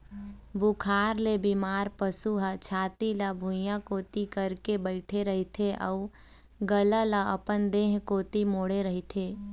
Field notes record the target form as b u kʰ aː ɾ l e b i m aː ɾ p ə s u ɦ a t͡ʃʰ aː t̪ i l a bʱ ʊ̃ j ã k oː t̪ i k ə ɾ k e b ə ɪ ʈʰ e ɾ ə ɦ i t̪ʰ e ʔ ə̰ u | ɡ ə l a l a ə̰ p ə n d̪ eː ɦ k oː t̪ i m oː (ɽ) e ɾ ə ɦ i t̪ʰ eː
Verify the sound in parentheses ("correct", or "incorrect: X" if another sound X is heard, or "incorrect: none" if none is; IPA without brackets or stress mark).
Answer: correct